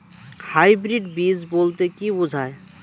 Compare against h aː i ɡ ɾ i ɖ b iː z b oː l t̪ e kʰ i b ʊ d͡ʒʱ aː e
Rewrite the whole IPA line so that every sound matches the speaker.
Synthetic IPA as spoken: h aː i b ɾ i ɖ b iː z b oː l t̪ e k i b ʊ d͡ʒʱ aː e

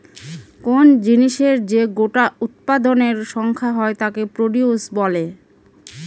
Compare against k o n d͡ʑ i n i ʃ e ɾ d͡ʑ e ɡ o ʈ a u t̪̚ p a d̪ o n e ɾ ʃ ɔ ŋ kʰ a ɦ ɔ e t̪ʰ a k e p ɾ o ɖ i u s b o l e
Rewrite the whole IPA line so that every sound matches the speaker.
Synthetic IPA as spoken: k o n d͡ʑ i n i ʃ e ɾ d͡ʑ e ɡ o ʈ a u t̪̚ p a d̪ o n e ɾ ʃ ɔ ŋ kʰ a ɦ ɔ e t̪ a k e p ɾ o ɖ i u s b ɔ l e

